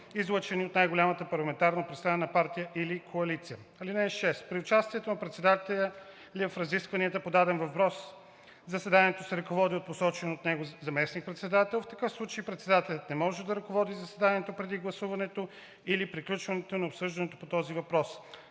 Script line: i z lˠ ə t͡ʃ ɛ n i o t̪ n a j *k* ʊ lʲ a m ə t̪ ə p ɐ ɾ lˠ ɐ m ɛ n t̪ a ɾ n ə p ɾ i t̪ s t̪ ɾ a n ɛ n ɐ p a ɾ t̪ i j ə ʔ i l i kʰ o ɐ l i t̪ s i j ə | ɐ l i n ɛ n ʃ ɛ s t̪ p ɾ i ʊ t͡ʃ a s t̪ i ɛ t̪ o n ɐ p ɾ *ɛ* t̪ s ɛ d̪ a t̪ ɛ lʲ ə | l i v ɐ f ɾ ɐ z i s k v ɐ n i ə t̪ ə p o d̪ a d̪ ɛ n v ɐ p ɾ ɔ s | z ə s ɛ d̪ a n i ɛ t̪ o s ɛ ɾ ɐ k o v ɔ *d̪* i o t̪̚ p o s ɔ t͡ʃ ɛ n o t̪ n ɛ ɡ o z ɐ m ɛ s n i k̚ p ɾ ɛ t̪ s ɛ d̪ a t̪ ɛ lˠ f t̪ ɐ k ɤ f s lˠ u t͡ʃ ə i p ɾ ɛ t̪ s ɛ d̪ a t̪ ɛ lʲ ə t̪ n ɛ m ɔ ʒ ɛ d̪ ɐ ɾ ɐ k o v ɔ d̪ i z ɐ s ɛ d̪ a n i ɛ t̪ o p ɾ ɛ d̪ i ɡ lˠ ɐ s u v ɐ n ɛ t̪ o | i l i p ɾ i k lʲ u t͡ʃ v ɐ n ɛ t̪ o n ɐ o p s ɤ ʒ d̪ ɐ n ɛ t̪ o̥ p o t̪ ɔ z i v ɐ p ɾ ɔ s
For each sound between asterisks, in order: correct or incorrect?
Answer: incorrect: ɡ, correct, correct

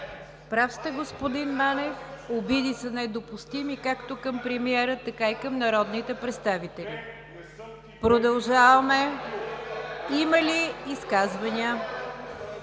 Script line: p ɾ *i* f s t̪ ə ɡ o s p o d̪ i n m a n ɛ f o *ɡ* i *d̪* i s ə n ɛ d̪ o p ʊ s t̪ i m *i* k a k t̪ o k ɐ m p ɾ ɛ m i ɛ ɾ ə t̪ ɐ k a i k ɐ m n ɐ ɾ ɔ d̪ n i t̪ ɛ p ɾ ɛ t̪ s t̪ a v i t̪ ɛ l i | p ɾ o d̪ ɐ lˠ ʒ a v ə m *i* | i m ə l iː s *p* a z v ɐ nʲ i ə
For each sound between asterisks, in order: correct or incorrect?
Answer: incorrect: a, incorrect: b, correct, correct, incorrect: ɛ, incorrect: k

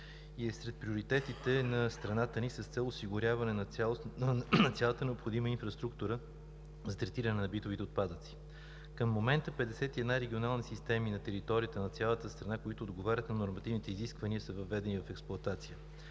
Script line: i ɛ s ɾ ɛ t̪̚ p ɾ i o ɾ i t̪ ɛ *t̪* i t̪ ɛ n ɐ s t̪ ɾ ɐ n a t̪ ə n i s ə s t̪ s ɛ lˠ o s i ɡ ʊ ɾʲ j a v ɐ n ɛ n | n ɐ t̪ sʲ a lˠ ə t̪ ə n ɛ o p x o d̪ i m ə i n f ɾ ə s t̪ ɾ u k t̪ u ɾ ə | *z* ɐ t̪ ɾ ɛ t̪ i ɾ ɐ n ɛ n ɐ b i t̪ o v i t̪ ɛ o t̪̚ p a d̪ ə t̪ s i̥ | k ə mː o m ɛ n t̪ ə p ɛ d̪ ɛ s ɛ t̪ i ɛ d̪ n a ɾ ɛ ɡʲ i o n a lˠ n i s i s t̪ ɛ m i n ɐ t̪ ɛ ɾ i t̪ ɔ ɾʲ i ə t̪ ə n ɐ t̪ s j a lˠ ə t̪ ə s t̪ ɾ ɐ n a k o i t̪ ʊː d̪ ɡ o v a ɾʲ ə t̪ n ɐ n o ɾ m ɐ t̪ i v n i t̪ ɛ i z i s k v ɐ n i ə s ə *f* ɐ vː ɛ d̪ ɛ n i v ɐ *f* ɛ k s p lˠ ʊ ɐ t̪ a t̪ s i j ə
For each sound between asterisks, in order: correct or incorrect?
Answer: correct, correct, incorrect: v, correct

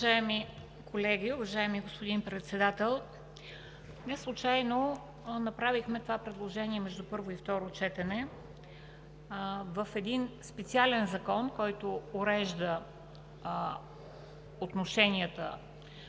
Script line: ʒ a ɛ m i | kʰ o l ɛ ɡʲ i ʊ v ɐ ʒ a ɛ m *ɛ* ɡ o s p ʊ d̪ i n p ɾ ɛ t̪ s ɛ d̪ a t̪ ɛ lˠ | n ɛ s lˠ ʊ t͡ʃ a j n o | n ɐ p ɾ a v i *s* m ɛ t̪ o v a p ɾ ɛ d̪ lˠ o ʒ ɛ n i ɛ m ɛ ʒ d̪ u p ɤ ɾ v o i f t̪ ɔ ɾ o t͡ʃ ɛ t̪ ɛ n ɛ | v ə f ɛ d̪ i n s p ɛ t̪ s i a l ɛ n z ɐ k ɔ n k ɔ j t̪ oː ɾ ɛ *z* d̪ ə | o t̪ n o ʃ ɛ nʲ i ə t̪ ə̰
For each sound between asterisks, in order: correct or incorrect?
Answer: incorrect: i, incorrect: x, incorrect: ʒ

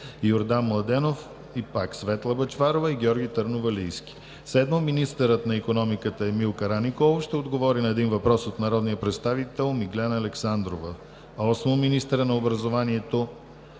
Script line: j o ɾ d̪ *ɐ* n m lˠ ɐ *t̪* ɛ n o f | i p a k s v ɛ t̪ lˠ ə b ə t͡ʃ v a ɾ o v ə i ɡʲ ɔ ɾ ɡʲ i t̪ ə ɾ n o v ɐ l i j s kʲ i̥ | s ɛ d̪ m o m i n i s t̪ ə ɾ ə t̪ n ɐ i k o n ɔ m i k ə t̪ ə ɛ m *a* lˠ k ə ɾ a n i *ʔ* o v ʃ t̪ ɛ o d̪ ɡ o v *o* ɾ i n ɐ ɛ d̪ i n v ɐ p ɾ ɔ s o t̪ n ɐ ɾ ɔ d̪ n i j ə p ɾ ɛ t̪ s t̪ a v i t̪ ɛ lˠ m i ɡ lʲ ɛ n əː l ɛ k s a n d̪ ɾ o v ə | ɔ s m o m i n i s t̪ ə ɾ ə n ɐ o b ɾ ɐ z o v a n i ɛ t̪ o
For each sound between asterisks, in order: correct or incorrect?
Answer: incorrect: a, incorrect: d̪, incorrect: i, incorrect: k, incorrect: ɔ

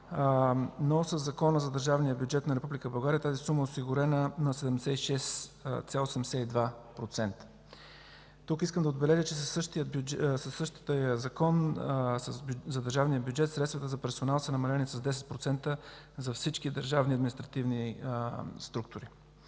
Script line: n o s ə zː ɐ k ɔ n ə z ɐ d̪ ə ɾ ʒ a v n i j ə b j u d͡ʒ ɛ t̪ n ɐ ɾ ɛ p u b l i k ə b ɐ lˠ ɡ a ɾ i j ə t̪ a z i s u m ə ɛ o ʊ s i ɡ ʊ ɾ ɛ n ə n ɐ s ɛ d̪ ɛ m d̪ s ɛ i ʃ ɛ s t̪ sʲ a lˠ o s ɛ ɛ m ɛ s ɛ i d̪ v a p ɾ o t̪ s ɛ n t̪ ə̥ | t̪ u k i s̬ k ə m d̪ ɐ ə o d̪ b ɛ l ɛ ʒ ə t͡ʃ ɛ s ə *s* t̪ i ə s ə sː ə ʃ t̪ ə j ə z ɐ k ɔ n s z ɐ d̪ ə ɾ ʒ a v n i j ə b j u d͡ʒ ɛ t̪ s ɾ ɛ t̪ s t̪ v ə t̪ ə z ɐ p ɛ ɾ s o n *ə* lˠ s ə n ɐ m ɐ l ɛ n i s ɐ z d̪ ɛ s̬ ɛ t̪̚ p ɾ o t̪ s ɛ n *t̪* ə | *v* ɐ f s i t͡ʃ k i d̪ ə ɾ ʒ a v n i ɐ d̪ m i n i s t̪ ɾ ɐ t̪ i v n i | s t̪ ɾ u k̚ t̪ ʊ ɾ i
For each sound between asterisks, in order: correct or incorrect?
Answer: incorrect: ʃ, incorrect: a, correct, incorrect: z

